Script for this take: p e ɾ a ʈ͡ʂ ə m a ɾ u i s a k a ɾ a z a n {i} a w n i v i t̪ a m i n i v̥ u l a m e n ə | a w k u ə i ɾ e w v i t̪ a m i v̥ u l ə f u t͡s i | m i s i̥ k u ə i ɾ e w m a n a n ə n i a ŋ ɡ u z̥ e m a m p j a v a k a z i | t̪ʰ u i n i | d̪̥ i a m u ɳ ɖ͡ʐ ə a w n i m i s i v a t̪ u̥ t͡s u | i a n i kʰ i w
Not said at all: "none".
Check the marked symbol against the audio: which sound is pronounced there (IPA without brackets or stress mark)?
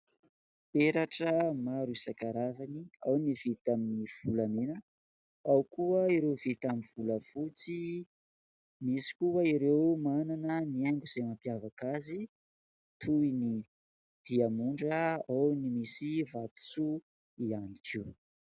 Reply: i